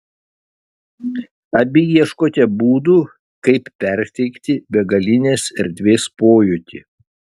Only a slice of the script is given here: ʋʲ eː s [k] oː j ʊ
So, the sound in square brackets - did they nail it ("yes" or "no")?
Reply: no